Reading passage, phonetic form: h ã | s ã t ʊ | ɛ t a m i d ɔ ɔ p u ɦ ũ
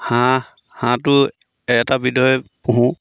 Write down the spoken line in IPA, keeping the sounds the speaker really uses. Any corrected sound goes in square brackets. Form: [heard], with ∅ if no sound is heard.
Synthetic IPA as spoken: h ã | [h] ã t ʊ | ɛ t a [b] i d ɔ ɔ p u ɦ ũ